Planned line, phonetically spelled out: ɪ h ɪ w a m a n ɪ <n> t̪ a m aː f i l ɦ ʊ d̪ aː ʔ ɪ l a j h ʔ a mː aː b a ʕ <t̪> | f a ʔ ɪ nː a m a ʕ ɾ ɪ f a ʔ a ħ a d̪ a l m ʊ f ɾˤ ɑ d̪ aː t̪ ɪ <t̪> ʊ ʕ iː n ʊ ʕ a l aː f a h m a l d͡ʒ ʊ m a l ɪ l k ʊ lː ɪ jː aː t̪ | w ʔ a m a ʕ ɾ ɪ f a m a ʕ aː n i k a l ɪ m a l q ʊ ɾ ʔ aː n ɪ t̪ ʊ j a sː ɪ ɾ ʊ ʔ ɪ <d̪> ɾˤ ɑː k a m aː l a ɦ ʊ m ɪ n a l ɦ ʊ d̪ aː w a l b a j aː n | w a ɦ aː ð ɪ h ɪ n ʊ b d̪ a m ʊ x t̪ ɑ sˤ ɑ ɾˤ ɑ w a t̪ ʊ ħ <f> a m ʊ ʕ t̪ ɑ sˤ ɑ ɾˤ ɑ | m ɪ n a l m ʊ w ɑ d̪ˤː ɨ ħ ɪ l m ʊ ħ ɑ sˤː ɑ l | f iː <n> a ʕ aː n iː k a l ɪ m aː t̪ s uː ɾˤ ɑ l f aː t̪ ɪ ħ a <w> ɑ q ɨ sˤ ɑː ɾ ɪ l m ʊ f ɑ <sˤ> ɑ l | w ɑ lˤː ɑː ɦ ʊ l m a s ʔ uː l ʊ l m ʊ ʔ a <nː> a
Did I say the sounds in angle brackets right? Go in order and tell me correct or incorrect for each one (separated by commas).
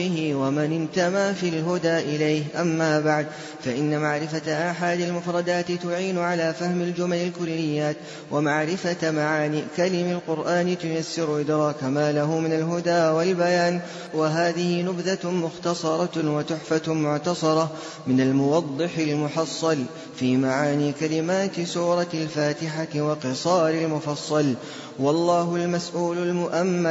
correct, incorrect, correct, correct, correct, incorrect, correct, incorrect, incorrect